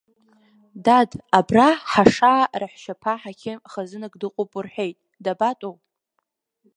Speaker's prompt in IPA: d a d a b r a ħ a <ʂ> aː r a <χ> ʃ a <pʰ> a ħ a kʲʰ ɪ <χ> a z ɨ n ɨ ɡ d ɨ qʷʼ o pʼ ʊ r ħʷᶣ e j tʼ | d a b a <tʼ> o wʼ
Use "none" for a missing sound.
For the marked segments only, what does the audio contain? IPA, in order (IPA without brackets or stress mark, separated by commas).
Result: ʂ, ħ, pʰ, χ, tʼ